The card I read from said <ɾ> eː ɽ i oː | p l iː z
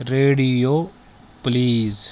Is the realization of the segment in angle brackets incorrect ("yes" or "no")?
no